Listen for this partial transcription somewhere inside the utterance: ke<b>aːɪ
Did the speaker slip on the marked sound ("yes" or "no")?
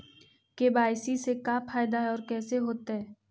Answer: no